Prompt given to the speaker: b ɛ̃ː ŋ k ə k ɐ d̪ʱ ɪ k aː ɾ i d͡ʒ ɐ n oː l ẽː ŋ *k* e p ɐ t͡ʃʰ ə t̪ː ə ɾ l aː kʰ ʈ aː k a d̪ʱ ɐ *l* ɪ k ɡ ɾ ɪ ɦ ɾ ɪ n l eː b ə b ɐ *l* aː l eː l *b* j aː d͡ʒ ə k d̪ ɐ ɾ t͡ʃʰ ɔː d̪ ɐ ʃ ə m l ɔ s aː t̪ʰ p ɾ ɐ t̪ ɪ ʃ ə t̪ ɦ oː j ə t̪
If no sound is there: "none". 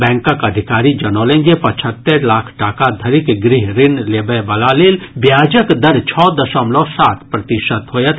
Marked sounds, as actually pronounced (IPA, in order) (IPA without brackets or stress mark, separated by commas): ɡ, ɾ, l, b